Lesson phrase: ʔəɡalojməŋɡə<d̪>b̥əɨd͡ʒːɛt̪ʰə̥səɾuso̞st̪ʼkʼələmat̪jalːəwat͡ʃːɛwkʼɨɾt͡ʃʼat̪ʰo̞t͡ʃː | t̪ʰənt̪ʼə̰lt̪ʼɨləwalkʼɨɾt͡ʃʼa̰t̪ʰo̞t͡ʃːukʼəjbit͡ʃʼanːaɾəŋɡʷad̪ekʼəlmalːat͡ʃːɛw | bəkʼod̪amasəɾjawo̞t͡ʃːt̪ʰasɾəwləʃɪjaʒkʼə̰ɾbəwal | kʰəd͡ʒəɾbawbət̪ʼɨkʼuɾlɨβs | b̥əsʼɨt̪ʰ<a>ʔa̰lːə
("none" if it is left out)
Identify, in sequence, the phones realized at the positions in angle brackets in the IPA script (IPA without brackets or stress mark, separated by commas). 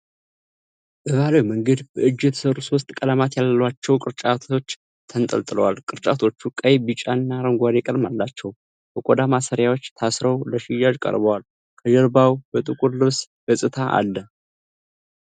d̪, a